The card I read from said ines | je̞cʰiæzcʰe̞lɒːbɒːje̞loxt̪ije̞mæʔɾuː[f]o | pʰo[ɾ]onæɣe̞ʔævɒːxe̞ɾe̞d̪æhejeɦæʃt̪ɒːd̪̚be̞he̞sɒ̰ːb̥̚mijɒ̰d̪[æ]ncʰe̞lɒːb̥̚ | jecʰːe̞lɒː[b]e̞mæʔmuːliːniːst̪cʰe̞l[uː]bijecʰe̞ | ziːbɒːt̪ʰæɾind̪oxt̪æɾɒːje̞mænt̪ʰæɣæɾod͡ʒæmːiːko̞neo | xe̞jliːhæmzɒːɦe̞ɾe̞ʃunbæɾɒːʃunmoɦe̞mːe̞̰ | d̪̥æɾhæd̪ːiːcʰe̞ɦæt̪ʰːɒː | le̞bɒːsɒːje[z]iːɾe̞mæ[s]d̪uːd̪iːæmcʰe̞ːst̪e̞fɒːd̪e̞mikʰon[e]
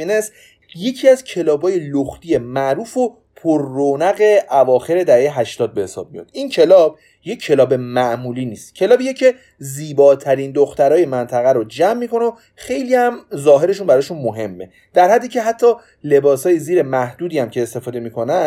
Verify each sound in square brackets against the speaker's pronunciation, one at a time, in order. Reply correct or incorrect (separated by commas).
correct, incorrect, incorrect, correct, incorrect, correct, incorrect, incorrect